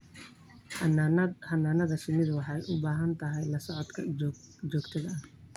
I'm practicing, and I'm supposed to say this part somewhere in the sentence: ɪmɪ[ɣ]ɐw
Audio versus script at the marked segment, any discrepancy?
yes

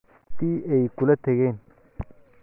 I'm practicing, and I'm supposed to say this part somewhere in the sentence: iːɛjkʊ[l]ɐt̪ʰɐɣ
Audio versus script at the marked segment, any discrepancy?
no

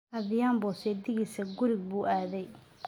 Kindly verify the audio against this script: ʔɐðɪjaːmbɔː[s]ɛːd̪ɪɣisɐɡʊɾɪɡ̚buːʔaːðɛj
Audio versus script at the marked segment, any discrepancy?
no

